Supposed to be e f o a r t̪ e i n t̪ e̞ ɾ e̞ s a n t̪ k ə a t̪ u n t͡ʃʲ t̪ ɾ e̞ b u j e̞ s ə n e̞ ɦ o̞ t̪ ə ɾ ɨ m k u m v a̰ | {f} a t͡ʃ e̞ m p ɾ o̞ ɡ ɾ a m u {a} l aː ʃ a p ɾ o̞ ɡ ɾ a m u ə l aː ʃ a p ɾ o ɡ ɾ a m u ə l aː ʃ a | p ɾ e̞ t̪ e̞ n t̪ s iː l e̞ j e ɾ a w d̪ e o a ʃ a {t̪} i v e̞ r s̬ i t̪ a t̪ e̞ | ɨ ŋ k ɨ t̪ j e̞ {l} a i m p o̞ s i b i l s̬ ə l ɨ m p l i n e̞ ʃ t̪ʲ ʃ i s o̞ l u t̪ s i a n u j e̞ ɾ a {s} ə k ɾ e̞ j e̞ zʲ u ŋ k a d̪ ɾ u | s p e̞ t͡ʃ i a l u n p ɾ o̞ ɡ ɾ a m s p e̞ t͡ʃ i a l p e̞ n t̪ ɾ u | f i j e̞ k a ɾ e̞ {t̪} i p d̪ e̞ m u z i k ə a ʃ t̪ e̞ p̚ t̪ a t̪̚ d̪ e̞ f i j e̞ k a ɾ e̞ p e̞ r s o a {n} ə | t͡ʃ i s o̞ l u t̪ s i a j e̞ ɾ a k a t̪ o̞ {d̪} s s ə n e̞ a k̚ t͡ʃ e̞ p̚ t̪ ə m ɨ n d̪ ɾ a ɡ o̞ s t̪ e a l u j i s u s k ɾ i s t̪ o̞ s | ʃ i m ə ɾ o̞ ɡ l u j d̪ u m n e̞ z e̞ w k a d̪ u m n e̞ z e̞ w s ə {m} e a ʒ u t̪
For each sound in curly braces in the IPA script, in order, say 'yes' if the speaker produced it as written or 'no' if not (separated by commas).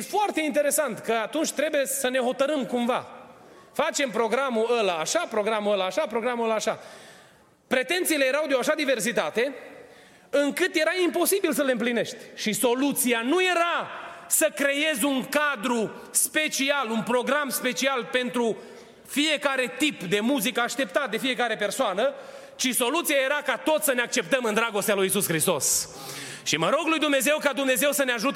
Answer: yes, no, no, no, yes, yes, yes, no, no